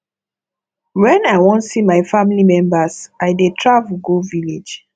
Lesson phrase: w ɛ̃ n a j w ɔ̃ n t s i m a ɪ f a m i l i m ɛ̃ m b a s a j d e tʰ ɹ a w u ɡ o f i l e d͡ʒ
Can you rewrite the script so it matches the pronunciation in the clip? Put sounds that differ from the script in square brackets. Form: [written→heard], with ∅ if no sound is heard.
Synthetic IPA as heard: w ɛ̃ n a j w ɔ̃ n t s i m a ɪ f a m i l i m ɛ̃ m b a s a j d e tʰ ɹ a [w→v] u ɡ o [f→v] i l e d͡ʒ